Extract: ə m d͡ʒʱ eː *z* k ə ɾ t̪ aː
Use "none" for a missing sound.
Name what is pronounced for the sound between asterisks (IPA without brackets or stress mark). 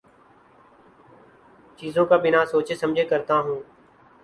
none